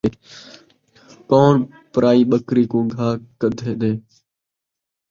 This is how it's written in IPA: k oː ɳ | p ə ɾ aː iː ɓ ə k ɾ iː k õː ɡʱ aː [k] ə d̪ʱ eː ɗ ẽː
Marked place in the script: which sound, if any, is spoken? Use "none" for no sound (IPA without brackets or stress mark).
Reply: k